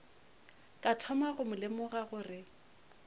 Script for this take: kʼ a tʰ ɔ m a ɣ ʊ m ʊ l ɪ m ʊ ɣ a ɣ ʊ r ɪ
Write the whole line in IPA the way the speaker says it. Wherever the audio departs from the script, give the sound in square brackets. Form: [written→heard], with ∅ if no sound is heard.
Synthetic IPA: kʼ a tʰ ɔ m a ɣ ʊ m ʊ l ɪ m ʊ ɣ a ɣ ʊ r ɪ